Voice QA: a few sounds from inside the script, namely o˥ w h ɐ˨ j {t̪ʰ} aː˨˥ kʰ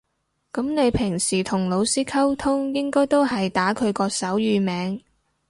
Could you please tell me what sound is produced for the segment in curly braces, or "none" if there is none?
t̪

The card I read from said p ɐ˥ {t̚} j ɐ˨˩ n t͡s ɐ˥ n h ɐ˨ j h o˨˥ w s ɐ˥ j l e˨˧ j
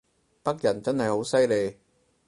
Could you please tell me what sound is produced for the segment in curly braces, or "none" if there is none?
k̚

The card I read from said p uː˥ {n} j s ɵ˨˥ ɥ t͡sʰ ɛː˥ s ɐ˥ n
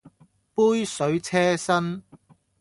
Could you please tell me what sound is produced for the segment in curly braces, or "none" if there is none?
none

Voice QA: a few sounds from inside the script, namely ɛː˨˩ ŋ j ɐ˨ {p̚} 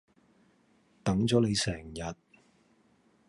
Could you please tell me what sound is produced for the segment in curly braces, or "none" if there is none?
t̚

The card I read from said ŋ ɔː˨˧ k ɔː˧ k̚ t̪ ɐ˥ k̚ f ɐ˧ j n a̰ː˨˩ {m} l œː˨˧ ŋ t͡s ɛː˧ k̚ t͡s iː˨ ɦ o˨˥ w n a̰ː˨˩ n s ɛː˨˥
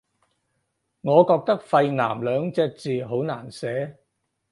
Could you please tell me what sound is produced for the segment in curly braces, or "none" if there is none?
m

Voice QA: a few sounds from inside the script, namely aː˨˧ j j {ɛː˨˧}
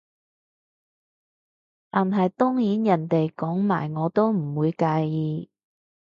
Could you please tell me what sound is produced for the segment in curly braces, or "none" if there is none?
iː˨˧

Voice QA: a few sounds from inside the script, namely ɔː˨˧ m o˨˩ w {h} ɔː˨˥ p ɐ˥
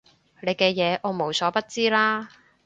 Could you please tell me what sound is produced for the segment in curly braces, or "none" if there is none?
s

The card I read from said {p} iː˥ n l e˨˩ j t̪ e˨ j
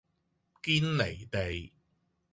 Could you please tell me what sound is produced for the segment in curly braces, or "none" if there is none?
k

